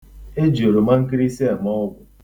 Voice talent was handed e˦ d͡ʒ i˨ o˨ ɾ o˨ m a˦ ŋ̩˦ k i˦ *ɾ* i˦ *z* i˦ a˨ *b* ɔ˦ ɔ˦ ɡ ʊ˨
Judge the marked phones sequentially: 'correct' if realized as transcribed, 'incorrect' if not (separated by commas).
correct, incorrect, incorrect